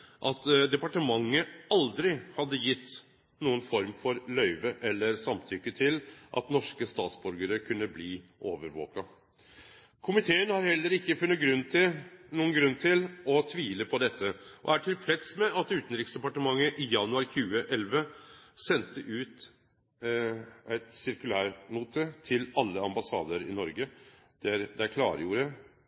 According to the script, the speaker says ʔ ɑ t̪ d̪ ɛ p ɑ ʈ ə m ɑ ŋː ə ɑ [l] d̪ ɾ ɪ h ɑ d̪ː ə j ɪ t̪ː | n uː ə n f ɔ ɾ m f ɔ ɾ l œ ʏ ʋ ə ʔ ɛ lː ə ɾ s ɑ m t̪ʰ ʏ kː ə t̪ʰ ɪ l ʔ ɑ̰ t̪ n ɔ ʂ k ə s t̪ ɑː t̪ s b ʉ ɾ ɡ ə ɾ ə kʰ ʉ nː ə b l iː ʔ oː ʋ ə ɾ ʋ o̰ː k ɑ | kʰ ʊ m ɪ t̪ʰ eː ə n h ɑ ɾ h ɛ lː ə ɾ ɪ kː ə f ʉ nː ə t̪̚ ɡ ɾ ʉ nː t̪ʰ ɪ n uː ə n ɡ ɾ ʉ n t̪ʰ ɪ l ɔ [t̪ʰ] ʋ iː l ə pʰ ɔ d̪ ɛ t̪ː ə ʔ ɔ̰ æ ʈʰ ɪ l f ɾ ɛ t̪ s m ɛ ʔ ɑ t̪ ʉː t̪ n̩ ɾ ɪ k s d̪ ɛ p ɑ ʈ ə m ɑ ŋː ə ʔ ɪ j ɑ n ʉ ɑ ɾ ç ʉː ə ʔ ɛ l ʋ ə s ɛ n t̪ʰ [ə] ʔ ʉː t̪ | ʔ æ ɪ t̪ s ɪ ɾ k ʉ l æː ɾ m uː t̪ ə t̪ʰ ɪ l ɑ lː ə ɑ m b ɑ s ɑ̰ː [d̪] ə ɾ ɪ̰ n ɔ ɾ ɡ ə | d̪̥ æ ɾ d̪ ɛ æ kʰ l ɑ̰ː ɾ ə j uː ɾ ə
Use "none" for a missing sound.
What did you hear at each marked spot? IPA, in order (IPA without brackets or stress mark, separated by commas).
l, t̪ʰ, ə, d̪